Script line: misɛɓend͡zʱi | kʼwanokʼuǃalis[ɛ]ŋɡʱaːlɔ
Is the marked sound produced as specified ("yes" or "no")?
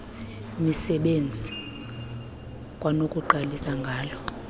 no